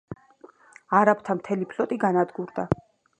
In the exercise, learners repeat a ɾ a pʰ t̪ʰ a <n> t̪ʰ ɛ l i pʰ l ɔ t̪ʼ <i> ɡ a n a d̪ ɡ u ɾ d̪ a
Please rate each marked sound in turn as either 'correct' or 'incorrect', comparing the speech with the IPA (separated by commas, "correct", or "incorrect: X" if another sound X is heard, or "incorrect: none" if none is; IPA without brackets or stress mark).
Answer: incorrect: m, correct